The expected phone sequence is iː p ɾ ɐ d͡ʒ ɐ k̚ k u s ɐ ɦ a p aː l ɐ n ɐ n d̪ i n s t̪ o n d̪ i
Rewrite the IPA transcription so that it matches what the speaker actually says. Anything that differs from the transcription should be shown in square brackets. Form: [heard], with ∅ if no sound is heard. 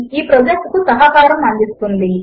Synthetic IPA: iː p ɾ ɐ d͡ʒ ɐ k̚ k u s ɐ ɦ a [k] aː [ɾ] ɐ [m] ɐ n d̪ i [∅] s t̪ [u] n d̪ i